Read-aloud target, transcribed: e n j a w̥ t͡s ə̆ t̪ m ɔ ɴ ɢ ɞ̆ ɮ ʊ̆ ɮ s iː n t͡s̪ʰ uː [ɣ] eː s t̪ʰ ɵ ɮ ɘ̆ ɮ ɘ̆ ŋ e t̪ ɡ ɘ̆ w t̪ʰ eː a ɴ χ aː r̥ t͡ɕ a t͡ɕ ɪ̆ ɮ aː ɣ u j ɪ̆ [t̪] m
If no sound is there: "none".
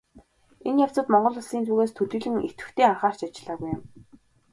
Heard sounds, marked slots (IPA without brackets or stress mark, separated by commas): ɣ, none